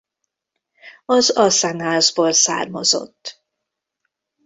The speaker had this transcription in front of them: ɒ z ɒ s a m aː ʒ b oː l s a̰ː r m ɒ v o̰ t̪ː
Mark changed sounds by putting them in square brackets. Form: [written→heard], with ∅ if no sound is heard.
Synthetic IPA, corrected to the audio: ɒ z ɒ s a [m→n] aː [ʒ→z] b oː l s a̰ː r m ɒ [v→z] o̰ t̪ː